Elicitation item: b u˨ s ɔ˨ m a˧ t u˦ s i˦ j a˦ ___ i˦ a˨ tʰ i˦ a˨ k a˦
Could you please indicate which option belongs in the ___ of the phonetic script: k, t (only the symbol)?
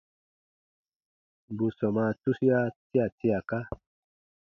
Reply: t